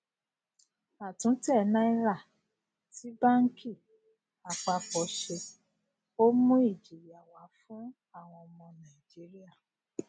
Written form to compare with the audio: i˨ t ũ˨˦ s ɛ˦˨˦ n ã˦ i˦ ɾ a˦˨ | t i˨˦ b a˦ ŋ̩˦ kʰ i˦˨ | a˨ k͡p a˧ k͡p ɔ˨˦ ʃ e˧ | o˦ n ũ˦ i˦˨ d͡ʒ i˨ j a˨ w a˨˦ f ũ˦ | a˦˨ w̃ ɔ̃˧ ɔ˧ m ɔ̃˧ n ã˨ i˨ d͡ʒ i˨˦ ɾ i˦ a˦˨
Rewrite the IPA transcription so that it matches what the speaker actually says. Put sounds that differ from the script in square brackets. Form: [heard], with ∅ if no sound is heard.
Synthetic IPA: [a˨] t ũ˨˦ [t] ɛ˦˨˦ n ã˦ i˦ ɾ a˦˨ | t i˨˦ b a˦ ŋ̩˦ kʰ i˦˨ | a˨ k͡p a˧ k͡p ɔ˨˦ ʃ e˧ | o˦ [m] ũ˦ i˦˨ d͡ʒ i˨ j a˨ w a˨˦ f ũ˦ | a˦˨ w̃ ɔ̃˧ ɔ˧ m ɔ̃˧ n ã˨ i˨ d͡ʒ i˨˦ ɾ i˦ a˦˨